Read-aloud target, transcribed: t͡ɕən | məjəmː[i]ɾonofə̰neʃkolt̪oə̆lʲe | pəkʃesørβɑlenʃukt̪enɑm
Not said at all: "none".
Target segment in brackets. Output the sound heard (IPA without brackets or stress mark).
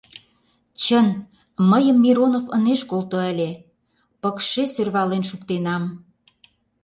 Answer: i